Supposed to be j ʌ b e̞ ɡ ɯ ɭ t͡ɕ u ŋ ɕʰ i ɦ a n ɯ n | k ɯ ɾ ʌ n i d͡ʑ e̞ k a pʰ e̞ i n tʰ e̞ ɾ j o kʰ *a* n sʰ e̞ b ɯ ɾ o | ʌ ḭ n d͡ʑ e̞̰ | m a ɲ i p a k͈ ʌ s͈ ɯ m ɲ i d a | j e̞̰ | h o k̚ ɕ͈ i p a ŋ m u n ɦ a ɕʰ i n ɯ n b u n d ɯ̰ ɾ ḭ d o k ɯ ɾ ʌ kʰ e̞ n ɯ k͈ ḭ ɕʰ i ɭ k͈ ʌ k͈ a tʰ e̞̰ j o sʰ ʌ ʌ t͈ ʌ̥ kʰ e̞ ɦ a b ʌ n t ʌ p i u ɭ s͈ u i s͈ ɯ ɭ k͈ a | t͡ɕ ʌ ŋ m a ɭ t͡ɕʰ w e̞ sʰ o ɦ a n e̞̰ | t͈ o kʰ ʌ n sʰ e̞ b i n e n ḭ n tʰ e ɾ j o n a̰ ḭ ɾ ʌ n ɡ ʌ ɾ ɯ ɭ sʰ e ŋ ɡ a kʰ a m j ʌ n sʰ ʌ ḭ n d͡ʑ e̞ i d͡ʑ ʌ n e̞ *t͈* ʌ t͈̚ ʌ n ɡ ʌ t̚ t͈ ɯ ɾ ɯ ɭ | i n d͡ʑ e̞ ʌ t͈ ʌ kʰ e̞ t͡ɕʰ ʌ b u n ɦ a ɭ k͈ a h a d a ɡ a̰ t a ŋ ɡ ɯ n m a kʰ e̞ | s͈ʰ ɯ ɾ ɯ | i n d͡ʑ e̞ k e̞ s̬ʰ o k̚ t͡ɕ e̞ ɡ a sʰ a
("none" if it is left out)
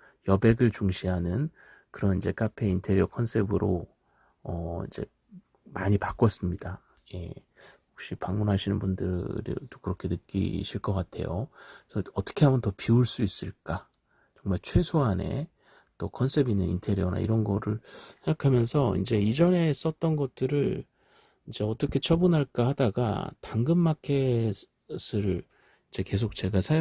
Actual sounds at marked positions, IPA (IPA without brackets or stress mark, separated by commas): ʌ, s͈